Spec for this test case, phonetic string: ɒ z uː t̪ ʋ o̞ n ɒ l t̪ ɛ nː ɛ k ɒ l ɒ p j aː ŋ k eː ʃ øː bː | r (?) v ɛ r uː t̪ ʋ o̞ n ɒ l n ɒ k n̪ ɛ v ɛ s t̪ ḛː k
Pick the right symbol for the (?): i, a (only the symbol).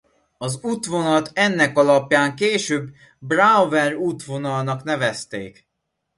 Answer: a